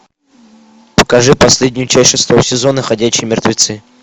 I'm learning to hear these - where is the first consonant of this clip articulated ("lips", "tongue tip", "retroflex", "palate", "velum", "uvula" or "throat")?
lips